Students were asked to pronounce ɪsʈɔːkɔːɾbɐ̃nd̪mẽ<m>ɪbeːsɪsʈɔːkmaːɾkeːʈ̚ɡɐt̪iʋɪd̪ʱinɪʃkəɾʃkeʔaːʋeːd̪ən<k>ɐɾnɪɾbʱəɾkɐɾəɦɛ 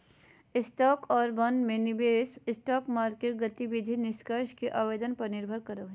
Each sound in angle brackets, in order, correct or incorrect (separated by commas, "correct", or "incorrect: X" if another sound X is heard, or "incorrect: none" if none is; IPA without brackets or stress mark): incorrect: n, incorrect: p